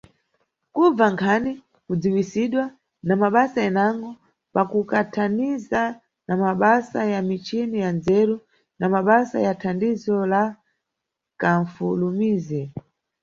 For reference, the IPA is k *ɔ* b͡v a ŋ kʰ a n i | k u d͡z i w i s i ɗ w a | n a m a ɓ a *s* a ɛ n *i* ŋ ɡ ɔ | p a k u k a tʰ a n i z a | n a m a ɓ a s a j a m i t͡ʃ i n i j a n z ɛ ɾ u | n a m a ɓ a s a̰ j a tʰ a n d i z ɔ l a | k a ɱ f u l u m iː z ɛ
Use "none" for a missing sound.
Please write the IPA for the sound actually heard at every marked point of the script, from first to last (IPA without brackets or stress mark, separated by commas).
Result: u, s, a